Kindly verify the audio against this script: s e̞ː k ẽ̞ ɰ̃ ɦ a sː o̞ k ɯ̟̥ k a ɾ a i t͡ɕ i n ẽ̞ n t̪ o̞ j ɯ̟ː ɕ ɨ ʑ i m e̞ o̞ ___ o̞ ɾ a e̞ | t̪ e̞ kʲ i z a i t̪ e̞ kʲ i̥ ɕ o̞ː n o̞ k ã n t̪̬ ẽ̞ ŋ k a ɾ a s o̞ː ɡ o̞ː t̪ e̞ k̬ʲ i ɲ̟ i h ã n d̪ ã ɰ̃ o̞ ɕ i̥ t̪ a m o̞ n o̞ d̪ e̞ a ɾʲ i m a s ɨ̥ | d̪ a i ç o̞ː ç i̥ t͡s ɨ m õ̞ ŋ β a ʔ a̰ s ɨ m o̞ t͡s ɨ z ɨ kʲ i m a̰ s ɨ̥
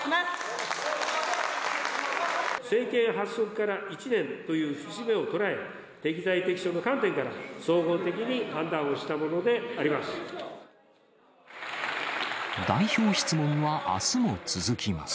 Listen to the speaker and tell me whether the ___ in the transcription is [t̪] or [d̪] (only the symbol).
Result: t̪